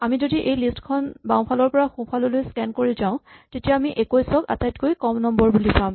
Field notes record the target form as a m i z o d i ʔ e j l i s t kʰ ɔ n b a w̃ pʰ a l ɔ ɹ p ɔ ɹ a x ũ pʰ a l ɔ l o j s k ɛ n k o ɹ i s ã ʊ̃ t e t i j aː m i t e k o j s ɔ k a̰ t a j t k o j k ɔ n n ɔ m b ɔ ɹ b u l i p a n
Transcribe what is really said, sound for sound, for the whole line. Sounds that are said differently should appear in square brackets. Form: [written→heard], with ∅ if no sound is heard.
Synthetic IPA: a m i z o d i ʔ e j l i s t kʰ ɔ n b a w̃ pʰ a l ɔ ɹ p ɔ ɹ a x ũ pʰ a l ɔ l o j s k ɛ n k o ɹ i [s→z] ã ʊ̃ t e t i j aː m i [t→ʔ] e k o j s ɔ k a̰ t a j t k o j k ɔ [n→m] n ɔ m b ɔ ɹ b u l i p a [n→m]

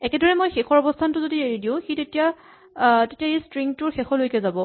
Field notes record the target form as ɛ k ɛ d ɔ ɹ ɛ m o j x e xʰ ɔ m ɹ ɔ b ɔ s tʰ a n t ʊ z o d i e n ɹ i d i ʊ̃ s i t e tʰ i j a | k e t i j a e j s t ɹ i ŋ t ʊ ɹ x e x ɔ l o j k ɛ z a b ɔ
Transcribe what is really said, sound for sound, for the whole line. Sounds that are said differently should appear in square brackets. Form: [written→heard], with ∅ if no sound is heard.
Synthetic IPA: ɛ k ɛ d ɔ ɹ ɛ m o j x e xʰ ɔ [m→∅] ɹ ɔ b ɔ s tʰ a n t ʊ z o d i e [n→∅] ɹ i d i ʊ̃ [s→x] i t e [tʰ→t] i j a | [k→t] e t i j a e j s t ɹ i ŋ t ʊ ɹ x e x ɔ l o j k ɛ z a b ɔ

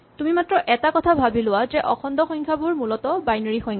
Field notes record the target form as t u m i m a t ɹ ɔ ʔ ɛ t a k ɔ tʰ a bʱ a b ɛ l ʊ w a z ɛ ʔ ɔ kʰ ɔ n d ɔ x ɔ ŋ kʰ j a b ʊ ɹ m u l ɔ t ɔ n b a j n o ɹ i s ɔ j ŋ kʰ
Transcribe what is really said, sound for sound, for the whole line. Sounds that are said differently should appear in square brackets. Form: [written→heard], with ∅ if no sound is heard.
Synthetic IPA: t u m i m a t ɹ ɔ ʔ ɛ t a k ɔ tʰ a bʱ a b [ɛ→i] l ʊ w a z ɛ ʔ ɔ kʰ ɔ n d ɔ x ɔ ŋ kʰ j a b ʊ ɹ m u l ɔ t ɔ [n→∅] b a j n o ɹ i [s→x] ɔ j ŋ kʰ

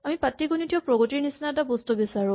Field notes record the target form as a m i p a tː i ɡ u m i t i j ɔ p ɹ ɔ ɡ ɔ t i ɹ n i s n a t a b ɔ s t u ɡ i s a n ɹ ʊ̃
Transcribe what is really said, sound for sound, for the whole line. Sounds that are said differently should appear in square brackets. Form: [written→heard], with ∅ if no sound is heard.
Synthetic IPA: a m i p a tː i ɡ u [m→n] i t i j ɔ p ɹ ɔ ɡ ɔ t i ɹ n i s n a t a b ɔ s t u [ɡ→b] i s a [n→∅] ɹ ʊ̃

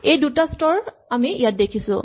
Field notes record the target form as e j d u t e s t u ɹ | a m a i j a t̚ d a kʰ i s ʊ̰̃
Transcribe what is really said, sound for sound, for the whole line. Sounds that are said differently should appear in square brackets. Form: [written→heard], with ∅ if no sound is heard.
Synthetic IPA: e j d u t [e→a] s t [u→ɔ] ɹ | a m [a→i] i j a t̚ d [a→e] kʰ i s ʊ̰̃

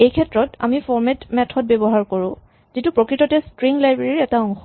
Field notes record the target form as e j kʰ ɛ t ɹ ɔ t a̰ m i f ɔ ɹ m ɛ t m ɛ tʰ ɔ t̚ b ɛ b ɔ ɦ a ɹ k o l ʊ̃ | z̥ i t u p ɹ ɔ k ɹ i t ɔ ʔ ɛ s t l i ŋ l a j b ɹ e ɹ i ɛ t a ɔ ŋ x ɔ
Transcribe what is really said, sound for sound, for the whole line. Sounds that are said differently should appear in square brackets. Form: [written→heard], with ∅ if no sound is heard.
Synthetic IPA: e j kʰ ɛ t ɹ ɔ t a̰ m i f ɔ ɹ m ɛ t m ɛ tʰ ɔ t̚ b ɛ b ɔ ɦ a ɹ k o [l→ɹ] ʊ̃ | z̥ i t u p ɹ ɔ k ɹ i t ɔ [ʔ→t] ɛ s t [l→ɹ] i ŋ l a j b ɹ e ɹ i ɛ t a ɔ ŋ x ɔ

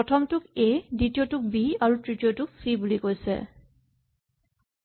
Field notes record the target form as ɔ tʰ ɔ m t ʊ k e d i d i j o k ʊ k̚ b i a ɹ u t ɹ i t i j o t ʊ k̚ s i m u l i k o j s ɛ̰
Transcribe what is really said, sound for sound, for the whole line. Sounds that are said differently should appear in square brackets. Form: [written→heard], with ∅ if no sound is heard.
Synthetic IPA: ɔ tʰ ɔ m t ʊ k e d i [d→t] i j o [k→t] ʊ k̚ b i a ɹ u t ɹ i t i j o t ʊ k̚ s i [m→b] u l i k o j s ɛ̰

